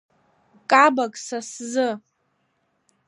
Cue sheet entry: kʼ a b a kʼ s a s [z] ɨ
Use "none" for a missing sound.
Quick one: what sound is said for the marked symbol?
z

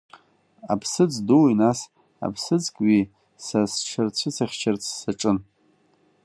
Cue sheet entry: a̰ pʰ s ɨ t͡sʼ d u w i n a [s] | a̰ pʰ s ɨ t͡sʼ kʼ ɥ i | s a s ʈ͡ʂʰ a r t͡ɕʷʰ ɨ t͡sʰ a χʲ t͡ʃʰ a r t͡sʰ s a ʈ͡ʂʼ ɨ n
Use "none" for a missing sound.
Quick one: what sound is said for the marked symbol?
s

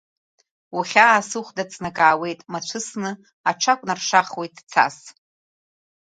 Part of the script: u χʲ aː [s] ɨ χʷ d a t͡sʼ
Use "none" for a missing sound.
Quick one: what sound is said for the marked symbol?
s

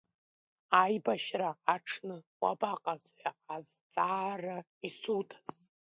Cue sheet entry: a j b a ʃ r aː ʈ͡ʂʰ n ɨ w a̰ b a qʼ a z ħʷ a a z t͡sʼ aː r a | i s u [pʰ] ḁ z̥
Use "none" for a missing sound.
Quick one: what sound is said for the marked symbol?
tʰ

